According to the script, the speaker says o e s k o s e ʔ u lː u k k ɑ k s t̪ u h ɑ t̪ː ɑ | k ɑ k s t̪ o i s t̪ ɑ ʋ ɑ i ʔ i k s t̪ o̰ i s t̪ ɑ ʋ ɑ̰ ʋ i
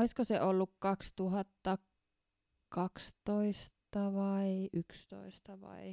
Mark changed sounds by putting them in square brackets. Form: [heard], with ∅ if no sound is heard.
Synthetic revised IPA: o [i] s k o s e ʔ [o] lː u k k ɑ k s t̪ u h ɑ t̪ː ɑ | k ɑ k s t̪ o i s t̪ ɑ ʋ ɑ i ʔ [y] k s t̪ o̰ i s t̪ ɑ ʋ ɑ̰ [∅] i